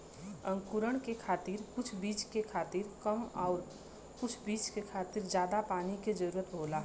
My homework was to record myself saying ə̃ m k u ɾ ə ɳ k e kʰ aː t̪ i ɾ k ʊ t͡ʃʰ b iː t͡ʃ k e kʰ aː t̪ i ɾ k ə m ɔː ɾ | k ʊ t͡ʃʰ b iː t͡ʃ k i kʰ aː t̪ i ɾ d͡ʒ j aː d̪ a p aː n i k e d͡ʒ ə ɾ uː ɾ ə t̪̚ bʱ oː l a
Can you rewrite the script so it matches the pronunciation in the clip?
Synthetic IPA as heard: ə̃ ŋ k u ɾ ə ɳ k e kʰ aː t̪ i ɾ k ʊ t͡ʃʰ b iː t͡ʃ k e kʰ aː t̪ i ɾ k ə m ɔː ɾ | k ʊ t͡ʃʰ b iː t͡ʃ k e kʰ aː t̪ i ɾ d͡ʒ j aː d̪ a p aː n i k e d͡ʒ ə ɾ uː ɾ ə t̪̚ bʱ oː l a